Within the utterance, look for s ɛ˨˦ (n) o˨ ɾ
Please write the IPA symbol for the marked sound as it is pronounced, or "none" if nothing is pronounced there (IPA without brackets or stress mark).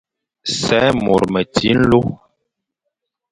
m